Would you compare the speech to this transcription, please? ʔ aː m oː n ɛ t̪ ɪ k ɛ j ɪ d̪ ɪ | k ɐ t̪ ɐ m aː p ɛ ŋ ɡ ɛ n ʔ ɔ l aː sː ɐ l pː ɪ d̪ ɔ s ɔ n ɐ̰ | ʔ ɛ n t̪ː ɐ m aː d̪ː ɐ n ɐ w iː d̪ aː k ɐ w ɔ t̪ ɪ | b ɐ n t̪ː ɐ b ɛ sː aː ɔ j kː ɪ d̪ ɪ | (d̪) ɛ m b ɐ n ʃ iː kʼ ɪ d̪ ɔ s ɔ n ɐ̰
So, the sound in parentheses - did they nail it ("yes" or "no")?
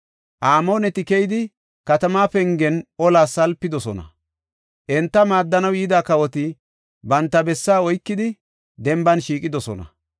yes